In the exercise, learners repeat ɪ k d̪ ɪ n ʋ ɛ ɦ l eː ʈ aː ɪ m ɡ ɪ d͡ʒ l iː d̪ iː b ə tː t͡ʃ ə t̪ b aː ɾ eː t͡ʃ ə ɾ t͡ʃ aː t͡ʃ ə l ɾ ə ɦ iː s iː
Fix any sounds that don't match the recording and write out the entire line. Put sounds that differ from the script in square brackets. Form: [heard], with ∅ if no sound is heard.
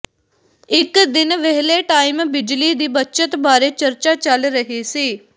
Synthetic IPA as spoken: ɪ k d̪ ɪ n ʋ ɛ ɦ l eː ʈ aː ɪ m [b] ɪ d͡ʒ l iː d̪ iː b ə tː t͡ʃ ə t̪ b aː ɾ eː t͡ʃ ə ɾ t͡ʃ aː t͡ʃ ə l ɾ ə ɦ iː s iː